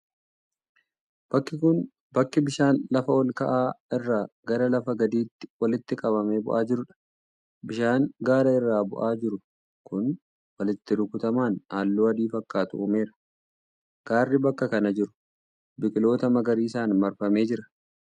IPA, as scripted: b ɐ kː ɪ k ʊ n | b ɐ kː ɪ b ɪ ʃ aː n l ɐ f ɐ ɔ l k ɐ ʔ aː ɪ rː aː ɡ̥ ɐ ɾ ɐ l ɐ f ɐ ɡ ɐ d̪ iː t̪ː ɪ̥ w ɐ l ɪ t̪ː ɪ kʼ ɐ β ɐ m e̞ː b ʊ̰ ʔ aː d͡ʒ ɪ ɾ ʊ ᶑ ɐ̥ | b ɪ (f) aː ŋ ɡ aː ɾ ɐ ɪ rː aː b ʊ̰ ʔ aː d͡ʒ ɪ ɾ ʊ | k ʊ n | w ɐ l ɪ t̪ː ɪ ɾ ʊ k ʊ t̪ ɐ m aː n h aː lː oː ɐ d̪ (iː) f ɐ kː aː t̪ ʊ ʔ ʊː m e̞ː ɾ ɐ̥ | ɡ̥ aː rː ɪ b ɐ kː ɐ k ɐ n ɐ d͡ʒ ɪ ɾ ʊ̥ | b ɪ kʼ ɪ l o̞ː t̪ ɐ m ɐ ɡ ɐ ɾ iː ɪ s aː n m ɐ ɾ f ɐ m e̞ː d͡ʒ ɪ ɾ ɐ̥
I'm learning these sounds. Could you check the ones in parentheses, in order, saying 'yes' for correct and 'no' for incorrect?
no, yes

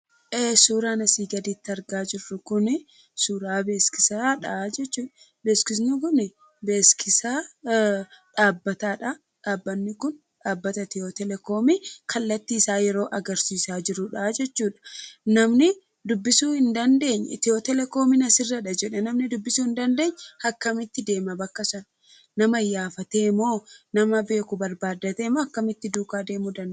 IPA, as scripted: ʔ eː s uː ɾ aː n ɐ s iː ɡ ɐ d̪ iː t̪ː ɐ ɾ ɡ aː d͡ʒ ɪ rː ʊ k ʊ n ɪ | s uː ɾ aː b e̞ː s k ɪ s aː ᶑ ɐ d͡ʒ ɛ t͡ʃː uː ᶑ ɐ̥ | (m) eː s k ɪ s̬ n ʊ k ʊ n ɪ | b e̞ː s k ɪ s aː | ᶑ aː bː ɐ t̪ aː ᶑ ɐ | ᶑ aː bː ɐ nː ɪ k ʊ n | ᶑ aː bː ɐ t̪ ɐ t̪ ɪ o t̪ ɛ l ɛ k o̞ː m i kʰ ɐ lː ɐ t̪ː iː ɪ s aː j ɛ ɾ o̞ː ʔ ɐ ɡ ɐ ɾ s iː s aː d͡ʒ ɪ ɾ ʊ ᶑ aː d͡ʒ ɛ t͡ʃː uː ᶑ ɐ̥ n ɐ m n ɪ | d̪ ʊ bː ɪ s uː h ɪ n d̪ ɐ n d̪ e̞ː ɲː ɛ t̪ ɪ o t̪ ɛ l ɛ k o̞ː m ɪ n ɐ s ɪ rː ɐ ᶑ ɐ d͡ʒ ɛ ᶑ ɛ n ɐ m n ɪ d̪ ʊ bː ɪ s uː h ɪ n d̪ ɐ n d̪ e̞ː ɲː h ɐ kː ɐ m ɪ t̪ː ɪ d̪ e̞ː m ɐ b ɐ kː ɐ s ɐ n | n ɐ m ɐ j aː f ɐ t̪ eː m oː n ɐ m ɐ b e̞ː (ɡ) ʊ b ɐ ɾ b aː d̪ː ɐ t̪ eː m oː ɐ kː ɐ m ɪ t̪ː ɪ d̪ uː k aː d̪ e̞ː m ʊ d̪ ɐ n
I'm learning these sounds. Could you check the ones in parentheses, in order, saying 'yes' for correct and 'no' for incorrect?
no, no

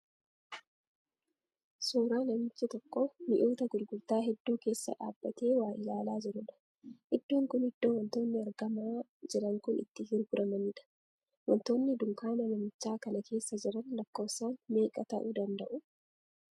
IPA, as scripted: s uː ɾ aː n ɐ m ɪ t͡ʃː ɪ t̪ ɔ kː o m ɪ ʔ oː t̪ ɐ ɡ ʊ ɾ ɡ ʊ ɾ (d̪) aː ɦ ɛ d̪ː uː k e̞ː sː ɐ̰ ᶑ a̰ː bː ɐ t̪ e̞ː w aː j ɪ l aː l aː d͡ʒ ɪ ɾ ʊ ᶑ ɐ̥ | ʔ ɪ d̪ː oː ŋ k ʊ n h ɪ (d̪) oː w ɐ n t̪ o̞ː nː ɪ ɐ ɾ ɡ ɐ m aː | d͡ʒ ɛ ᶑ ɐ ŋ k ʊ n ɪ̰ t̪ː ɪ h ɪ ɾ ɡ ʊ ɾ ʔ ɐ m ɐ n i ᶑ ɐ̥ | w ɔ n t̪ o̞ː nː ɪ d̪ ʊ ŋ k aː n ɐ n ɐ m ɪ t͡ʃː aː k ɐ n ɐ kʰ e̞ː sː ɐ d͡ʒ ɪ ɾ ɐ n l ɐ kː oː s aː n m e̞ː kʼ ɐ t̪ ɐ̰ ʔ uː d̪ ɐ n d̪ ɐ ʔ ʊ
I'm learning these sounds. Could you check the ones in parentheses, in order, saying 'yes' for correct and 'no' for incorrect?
no, no

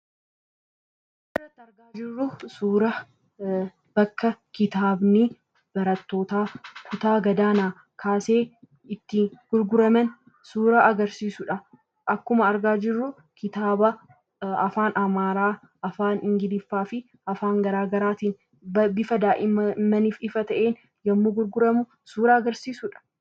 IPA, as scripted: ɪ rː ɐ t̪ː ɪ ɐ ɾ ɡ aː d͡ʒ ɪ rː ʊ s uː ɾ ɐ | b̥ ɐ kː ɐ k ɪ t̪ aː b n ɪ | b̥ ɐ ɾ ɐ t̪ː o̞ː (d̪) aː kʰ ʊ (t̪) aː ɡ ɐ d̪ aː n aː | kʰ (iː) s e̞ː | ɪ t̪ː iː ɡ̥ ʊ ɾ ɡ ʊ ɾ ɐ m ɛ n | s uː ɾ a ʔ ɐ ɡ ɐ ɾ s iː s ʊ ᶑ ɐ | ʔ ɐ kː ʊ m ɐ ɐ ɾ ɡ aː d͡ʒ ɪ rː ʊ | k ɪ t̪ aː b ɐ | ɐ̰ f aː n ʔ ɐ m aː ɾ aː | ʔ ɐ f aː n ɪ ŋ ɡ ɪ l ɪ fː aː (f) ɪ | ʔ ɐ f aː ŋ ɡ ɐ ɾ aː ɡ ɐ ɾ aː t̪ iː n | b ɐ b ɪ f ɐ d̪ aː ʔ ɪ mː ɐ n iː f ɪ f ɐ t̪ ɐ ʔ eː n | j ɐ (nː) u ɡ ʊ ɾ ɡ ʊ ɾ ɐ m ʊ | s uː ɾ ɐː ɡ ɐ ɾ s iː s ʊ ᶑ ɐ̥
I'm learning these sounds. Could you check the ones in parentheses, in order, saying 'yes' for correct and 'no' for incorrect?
no, yes, no, yes, no

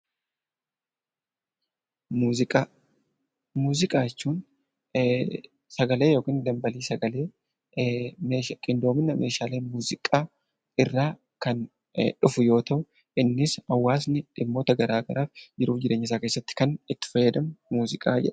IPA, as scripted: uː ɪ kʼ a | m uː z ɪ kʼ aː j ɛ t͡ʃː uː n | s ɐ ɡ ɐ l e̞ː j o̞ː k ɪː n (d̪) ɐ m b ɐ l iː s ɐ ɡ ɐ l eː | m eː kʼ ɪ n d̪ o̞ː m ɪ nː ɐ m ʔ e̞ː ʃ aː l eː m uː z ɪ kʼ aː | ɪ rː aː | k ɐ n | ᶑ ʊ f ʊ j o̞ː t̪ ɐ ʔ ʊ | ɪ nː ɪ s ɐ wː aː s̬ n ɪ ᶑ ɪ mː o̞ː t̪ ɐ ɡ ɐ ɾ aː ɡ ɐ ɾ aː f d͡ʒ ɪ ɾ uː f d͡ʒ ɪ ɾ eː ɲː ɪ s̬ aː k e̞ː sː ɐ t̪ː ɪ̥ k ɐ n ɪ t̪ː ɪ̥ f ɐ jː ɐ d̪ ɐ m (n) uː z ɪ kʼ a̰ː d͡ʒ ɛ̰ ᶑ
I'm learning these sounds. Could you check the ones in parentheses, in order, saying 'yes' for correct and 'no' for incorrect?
yes, no

